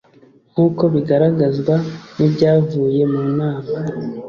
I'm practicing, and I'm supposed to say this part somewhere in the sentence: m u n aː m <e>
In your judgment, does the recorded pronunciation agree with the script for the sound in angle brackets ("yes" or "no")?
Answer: no